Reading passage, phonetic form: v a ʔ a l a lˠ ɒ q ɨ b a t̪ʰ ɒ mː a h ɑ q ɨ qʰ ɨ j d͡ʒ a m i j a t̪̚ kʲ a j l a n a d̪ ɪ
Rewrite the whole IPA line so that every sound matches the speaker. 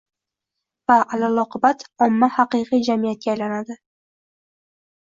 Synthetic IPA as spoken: v a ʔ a l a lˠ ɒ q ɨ b a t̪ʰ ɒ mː a h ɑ q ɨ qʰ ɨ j d͡ʒ a m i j a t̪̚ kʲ a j l a n a d̪ ɪ